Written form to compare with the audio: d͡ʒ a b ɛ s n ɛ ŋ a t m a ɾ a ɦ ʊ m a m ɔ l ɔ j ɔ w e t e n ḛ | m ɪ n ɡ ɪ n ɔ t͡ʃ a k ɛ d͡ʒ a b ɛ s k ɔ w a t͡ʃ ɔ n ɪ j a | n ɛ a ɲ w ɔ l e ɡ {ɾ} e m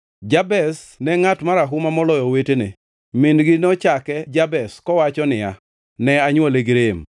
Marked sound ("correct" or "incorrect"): correct